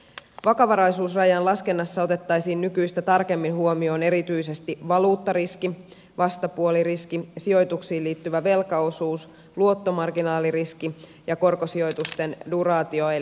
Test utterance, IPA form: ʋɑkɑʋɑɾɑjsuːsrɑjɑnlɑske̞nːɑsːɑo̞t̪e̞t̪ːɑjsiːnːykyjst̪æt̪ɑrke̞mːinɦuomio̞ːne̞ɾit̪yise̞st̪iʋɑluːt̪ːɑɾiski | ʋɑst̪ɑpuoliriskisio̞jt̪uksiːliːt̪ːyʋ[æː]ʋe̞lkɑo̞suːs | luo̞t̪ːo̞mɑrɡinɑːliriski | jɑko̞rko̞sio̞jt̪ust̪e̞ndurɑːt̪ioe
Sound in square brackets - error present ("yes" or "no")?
yes